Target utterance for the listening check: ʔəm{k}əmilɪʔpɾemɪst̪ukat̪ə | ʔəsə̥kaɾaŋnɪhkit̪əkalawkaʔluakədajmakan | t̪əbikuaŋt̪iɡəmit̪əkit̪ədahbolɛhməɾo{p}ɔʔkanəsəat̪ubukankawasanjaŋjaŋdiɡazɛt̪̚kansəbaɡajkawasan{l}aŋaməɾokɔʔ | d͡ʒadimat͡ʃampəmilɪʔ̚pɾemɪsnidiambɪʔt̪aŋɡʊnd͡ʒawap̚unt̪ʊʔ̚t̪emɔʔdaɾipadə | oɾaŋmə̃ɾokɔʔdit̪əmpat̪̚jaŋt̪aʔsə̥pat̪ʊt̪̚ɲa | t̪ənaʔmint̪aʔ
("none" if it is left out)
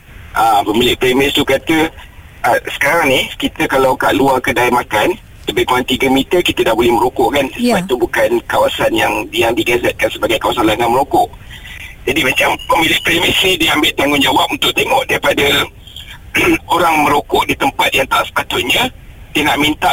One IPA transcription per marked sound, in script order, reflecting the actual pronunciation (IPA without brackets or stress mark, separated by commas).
p, k, l